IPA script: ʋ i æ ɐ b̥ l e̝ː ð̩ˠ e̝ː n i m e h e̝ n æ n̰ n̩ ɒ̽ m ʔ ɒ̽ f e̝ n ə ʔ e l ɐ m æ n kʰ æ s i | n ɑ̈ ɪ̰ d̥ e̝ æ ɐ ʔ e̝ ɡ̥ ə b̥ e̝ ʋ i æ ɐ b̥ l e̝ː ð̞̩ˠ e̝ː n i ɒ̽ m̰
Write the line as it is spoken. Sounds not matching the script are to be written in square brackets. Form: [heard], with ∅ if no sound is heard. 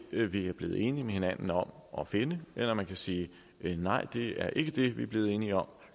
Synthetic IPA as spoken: ʋ i æ ɐ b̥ l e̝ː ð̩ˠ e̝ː n i m e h e̝ n æ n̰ n̩ ɒ̽ m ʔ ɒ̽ f e̝ n ə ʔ e l ɐ m æ n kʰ æ s [iː] | n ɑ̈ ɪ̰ d̥ e̝ æ ɐ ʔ e̝ ɡ̥ ə [d̥] e̝ ʋ i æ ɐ b̥ l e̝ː ð̞̩ˠ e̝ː n i ɒ̽ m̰